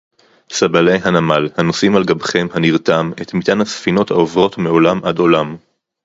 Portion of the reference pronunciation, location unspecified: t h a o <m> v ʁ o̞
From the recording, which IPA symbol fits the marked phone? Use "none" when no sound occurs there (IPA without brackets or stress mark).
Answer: none